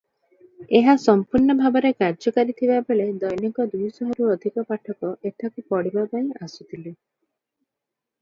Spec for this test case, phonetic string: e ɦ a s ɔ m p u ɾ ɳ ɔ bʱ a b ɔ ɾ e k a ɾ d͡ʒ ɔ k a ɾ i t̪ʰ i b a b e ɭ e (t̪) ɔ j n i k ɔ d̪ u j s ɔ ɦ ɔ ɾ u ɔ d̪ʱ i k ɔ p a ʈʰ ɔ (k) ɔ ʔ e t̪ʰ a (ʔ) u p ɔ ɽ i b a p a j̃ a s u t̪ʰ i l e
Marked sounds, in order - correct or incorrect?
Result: incorrect: d̪, correct, incorrect: k

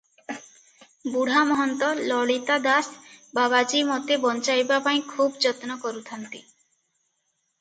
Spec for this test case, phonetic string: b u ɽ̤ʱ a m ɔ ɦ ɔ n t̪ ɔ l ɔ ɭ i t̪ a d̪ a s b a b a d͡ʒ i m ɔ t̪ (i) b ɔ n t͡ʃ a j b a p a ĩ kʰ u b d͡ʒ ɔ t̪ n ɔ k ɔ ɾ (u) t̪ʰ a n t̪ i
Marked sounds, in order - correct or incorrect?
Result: incorrect: e, correct

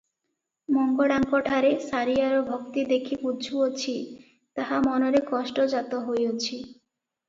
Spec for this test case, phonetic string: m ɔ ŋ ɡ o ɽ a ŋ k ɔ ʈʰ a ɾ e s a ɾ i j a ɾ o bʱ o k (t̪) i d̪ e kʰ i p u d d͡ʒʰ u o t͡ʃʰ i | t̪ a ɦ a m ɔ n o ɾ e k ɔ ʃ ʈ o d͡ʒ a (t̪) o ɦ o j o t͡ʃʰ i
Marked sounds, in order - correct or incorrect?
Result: correct, correct

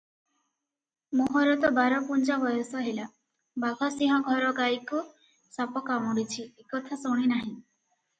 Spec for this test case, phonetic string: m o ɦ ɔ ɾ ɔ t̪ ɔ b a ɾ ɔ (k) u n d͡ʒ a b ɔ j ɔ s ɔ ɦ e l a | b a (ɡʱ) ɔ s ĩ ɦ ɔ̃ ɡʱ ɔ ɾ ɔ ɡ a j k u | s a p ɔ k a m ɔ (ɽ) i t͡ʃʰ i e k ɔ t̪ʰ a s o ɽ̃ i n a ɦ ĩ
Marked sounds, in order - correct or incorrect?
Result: incorrect: p, correct, correct

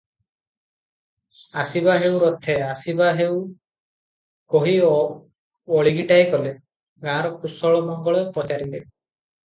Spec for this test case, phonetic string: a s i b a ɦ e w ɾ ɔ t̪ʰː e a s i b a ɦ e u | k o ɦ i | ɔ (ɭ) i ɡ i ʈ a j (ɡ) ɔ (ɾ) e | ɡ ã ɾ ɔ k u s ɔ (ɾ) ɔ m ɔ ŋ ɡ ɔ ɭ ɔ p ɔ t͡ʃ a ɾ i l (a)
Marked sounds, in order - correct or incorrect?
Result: correct, incorrect: k, incorrect: l, incorrect: ɭ, incorrect: e

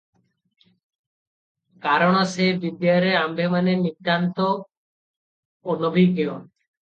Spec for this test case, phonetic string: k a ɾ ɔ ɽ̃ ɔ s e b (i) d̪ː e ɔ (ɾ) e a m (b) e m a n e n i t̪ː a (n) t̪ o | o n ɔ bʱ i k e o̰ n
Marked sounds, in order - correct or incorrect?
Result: correct, correct, correct, correct

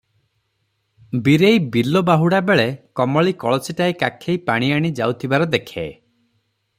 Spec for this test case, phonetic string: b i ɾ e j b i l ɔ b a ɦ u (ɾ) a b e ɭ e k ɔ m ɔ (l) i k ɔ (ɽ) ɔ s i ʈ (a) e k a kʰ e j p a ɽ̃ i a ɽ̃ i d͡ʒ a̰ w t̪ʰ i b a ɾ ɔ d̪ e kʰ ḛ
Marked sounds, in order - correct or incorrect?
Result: incorrect: ɽ, incorrect: ɭ, incorrect: ɭ, correct

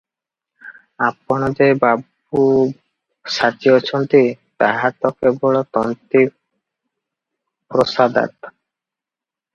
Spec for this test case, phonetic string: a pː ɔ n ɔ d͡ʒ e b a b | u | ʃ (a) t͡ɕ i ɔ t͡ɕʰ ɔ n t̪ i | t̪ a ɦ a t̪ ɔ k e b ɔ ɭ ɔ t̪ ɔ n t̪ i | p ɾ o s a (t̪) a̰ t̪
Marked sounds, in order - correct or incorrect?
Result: correct, incorrect: d̪

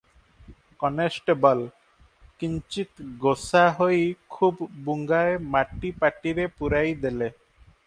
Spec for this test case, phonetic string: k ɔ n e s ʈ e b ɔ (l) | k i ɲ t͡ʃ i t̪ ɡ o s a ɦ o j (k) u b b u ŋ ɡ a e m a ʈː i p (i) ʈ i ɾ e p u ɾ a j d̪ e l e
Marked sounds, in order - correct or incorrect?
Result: correct, incorrect: kʰ, incorrect: a

